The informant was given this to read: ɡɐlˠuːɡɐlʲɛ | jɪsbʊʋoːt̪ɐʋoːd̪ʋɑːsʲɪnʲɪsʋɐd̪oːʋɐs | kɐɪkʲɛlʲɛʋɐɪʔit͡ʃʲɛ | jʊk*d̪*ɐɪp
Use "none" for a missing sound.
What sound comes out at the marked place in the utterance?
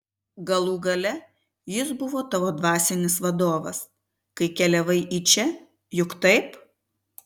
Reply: t̪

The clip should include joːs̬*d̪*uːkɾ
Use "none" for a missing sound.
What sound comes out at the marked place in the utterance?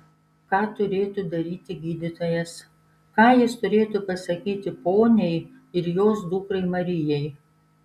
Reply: d̪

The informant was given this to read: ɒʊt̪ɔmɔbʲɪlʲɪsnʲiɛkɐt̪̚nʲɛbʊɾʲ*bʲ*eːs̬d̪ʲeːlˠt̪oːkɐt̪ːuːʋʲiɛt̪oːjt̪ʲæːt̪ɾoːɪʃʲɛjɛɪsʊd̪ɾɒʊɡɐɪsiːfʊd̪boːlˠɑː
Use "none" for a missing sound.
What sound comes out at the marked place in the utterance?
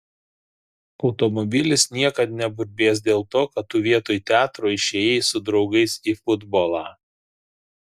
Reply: bʲ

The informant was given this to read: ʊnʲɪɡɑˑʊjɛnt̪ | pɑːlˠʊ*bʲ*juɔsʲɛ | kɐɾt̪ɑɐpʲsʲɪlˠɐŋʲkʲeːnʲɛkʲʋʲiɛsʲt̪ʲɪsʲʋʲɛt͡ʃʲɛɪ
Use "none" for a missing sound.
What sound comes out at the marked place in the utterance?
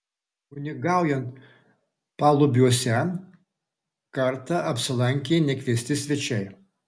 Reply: bʲ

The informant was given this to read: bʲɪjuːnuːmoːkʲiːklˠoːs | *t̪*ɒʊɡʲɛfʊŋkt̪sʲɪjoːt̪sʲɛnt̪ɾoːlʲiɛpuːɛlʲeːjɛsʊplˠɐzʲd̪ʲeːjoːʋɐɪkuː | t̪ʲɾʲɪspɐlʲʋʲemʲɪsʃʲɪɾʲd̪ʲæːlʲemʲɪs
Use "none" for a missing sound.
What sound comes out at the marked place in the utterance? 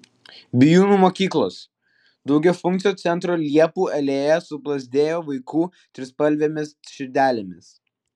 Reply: d̪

